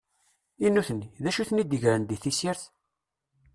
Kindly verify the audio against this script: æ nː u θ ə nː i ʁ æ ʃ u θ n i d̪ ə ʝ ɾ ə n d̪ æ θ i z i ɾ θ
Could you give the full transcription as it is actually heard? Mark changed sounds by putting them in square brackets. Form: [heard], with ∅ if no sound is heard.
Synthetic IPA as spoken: [i] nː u θ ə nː i [ð] æ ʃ u θ n i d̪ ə ʝ ɾ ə n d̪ [i] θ i [s] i ɾ θ